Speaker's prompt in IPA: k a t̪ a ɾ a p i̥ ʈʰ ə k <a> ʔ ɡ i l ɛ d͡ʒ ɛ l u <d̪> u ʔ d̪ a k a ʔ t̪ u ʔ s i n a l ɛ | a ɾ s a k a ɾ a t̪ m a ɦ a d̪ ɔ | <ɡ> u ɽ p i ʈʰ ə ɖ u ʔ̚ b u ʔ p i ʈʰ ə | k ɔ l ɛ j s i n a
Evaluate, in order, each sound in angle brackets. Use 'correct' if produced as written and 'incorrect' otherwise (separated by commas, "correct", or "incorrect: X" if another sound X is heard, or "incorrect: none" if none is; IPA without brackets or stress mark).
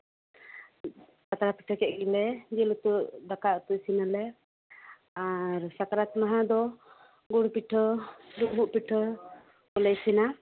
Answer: incorrect: ɛ, incorrect: t̪, correct